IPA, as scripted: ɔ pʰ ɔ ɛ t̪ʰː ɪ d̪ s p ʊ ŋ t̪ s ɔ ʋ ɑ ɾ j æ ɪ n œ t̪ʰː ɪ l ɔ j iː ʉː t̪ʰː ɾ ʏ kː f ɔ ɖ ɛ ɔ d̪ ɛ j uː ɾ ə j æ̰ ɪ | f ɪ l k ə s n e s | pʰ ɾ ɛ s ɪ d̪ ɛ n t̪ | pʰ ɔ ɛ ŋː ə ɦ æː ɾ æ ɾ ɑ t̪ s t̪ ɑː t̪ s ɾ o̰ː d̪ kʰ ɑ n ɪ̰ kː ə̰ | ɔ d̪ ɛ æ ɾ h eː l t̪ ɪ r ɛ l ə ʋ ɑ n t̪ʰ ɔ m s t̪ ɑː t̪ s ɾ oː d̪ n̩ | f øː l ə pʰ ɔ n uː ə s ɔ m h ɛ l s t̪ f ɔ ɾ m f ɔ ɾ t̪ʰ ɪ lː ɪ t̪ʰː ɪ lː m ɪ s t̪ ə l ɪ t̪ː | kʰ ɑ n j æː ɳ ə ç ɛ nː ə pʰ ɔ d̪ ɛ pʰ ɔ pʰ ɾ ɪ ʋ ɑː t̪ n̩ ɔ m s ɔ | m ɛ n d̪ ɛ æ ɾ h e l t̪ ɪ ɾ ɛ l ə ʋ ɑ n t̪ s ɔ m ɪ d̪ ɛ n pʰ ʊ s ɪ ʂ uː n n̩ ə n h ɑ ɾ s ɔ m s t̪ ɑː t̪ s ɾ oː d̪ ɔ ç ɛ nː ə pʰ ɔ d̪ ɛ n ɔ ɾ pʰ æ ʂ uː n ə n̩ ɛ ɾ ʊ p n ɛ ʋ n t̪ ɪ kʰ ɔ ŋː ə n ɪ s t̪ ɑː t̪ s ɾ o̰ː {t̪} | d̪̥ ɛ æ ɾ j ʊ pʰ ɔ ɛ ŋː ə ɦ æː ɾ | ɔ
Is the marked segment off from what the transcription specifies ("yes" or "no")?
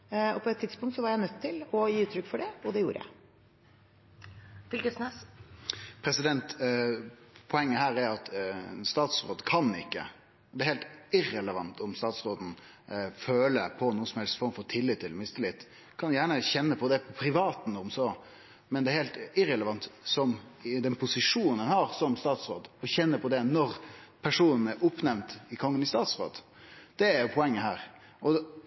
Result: yes